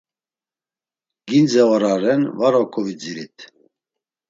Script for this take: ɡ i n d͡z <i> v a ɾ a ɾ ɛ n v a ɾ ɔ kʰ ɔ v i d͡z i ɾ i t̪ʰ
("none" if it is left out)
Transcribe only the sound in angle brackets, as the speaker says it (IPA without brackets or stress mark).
ɛ